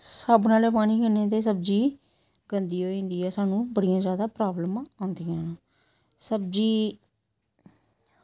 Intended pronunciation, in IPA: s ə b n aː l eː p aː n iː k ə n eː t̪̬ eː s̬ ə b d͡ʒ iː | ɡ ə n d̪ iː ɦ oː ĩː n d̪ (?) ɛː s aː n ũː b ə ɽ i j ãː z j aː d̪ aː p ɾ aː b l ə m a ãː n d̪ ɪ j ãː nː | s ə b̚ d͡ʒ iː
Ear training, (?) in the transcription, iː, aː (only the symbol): iː